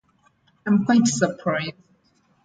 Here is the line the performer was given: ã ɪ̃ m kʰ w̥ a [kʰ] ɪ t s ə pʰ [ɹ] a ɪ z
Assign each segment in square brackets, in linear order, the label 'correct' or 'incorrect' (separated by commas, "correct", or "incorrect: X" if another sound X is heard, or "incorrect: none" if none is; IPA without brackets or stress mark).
incorrect: none, correct